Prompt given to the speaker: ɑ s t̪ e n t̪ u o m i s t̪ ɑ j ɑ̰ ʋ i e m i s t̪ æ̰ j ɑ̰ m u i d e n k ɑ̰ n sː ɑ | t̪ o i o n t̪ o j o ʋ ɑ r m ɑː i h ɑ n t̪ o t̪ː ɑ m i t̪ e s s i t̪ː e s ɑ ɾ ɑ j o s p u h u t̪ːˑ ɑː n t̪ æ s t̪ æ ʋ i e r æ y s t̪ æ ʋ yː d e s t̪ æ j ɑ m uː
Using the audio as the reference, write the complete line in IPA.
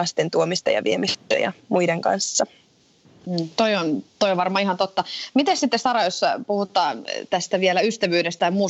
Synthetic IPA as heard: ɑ s t̪ e n t̪ u o m i s t̪ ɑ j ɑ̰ ʋ i e m i s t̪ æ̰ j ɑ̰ m u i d e ŋ k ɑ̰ n sː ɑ | t̪ o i o n t̪ o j o ʋ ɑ r m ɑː i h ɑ n t̪ o t̪ː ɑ m i t̪ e s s i t̪ː e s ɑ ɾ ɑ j o s p u h u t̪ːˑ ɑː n t̪ æ s t̪ æ ʋ i e l æ y s t̪ æ ʋ yː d e s t̪ æ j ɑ m uː